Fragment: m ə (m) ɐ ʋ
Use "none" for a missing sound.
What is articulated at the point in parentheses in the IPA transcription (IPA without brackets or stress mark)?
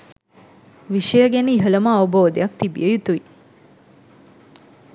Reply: none